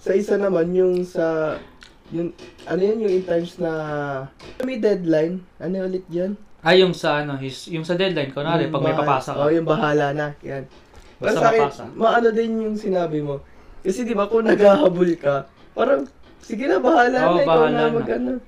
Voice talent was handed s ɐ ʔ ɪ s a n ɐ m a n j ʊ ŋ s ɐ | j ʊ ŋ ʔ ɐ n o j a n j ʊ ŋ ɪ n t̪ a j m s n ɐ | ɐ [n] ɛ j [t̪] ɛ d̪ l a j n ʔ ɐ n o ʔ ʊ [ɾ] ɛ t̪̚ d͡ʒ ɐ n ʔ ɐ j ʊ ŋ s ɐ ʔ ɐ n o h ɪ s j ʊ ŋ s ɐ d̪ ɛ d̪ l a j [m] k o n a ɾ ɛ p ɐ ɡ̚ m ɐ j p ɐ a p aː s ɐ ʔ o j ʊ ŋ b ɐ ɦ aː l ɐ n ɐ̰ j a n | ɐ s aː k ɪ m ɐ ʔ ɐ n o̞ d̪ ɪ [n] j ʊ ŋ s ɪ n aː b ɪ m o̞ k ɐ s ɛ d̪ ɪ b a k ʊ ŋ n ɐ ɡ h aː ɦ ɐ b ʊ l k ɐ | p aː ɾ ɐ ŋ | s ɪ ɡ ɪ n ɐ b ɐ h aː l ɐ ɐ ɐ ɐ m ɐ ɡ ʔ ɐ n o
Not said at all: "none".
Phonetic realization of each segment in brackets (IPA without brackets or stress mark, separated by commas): m, d̪, l, n, n